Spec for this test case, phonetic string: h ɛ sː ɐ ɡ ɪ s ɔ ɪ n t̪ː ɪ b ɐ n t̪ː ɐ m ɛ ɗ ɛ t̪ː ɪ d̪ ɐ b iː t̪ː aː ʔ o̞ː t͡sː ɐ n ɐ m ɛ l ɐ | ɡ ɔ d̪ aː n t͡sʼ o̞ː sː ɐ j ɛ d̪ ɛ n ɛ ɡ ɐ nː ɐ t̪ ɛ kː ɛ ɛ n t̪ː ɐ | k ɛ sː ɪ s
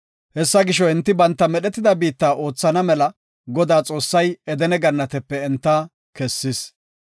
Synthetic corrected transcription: h ɛ sː ɐ ɡ ɪ ʃ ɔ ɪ n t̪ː ɪ b ɐ n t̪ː ɐ m ɛ ɗ ɛ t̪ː ɪ d̪ ɐ b iː t̪ː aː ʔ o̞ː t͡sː ɐ n ɐ m ɛ l ɐ | ɡ ɔ d̪ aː t͡sʼ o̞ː sː ɐ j ɛ d̪ ɛ n ɛ ɡ ɐ nː ɐ t̪ ɛ pː ɛ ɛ n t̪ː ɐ | k ɛ sː ɪ s